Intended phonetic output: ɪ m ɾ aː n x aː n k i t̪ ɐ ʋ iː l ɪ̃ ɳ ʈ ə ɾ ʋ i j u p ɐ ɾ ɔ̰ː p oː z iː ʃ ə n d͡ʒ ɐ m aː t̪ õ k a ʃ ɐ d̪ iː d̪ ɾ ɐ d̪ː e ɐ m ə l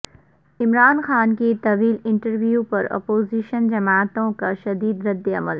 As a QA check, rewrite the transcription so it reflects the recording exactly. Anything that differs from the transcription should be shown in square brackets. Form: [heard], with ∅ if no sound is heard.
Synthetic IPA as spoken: ɪ m ɾ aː n x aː n k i t̪ ɐ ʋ iː l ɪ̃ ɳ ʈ ə ɾ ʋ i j u p ɐ ɾ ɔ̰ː p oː z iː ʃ ə n d͡ʒ ɐ m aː t̪ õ k a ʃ ɐ d̪ iː d̪ ɾ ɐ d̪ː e ɐ m ə l